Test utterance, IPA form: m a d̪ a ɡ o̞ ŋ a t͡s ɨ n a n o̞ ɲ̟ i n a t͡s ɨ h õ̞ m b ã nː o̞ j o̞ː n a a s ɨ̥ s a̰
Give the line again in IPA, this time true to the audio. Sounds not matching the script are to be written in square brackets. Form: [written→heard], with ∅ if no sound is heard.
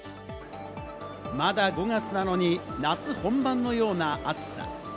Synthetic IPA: m a d̪ a ɡ o̞ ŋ a t͡s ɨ n a n o̞ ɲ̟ i n a t͡s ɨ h õ̞ m b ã nː o̞ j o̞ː n a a [s→t͡s] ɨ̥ s a̰